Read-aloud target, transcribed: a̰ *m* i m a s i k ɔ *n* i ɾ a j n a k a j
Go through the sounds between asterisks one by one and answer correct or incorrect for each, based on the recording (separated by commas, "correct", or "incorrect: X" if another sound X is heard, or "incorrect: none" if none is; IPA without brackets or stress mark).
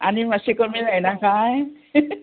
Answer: incorrect: n, incorrect: m